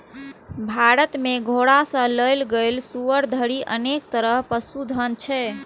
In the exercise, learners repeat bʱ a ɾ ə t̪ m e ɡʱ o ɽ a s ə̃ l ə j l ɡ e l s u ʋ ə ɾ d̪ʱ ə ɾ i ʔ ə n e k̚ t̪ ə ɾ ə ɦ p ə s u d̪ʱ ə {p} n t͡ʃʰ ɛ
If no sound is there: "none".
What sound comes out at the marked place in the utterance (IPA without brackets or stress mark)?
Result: none